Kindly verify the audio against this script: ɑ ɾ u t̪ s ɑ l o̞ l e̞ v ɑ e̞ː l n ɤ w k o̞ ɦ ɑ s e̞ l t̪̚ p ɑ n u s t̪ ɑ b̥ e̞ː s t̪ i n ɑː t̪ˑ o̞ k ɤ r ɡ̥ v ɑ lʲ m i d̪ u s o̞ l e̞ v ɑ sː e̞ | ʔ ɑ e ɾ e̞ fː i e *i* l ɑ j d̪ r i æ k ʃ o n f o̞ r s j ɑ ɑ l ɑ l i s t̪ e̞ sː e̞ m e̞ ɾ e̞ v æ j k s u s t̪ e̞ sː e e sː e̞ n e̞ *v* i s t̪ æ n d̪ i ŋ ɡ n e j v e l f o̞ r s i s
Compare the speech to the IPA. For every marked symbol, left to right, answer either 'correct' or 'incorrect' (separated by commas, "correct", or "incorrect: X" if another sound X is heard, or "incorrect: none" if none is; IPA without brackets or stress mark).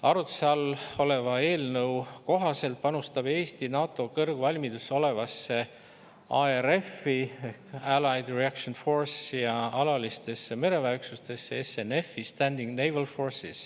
incorrect: æ, incorrect: f